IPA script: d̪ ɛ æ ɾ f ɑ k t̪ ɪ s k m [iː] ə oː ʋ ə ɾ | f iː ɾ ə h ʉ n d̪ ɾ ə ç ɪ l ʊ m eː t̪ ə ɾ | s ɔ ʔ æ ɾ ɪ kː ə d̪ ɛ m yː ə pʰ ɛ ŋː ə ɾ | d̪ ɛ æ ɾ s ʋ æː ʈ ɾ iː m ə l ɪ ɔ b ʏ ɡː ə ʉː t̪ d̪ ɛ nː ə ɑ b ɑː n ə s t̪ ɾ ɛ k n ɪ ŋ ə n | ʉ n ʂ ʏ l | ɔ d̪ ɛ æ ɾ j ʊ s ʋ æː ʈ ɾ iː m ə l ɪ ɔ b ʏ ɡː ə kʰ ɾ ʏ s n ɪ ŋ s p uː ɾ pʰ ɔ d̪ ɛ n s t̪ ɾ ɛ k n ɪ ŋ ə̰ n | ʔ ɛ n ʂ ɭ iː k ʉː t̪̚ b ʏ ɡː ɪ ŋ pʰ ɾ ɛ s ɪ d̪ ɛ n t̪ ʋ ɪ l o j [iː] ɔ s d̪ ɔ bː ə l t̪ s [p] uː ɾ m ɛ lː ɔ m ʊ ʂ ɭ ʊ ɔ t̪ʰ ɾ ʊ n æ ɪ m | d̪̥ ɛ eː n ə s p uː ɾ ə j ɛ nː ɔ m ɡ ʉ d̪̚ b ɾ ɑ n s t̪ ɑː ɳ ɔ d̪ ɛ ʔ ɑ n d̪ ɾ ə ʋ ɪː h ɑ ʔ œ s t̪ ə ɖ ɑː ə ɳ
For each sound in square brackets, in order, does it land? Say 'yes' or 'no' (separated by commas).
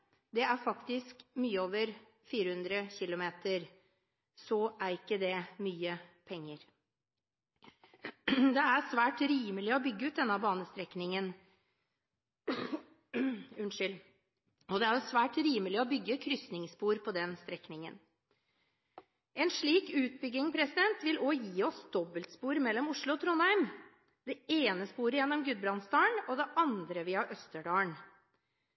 no, yes, yes